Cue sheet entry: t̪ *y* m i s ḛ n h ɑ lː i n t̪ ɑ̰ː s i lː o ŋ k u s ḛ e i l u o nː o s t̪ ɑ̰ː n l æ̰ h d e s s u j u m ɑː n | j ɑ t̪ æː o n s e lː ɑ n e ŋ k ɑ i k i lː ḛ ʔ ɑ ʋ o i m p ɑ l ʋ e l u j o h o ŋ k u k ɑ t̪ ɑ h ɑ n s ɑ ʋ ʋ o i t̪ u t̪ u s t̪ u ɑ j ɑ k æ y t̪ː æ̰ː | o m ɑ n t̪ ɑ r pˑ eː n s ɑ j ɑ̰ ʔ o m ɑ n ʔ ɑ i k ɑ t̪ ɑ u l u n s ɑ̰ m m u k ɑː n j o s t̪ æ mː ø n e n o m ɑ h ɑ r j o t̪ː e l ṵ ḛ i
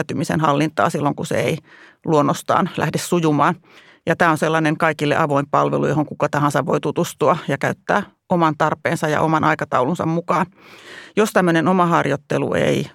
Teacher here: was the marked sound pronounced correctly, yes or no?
yes